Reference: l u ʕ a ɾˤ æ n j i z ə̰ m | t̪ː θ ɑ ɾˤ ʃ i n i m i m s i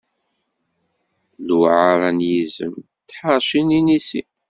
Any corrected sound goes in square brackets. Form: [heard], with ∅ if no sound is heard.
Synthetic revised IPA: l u ʕ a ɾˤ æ n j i z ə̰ m | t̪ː [ħ] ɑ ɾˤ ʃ i n i [n] i [∅] s i